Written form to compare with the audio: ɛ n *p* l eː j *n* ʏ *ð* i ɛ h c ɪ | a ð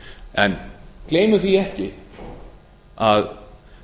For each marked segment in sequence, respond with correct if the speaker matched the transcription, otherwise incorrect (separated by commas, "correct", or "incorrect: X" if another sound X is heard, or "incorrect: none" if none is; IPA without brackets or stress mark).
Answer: incorrect: k, incorrect: m, incorrect: θ